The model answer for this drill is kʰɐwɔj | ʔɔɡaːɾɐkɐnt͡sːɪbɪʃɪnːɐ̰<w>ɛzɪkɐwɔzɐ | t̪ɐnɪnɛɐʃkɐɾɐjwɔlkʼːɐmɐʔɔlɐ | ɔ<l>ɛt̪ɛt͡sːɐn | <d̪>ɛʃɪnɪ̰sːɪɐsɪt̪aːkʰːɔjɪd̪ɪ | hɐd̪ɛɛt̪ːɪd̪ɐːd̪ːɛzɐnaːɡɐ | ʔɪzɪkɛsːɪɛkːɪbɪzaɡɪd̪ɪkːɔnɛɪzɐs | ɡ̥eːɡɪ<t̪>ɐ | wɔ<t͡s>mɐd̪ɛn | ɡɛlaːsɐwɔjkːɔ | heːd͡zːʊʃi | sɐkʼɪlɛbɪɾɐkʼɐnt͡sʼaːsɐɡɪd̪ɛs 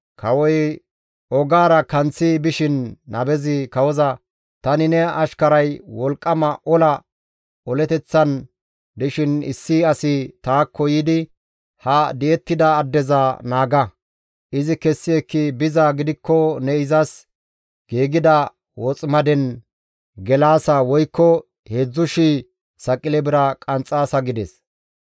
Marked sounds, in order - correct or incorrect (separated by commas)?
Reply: incorrect, correct, correct, incorrect, incorrect